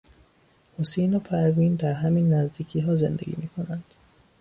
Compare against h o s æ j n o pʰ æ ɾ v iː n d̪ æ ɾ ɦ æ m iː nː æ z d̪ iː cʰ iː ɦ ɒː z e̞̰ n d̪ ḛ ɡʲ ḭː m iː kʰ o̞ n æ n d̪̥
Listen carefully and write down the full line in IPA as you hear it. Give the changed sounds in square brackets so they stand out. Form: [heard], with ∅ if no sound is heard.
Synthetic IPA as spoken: h o s [e] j n o pʰ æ ɾ v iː n d̪ æ ɾ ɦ æ m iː nː æ z d̪ iː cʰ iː ɦ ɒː z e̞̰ n d̪ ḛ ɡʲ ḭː m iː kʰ o̞ n æ n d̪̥